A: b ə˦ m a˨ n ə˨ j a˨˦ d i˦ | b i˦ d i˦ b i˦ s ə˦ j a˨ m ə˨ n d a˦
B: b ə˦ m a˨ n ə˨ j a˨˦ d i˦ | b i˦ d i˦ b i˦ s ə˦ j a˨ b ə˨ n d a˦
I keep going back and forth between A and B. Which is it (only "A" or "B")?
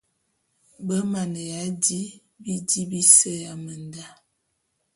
A